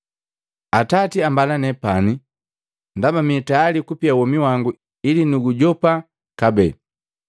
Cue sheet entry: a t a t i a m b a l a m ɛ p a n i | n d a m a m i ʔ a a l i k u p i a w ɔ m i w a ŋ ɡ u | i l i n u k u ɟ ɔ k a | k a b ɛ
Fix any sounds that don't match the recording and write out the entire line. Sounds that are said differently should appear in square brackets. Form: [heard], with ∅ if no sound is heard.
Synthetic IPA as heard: a t a t i a m b a l a [n] ɛ p a n i | n d a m a m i [t] a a l i k u p i a w ɔ m i w a ŋ ɡ u | i l i n u [ɡ] u ɟ ɔ [p] a | k a b ɛ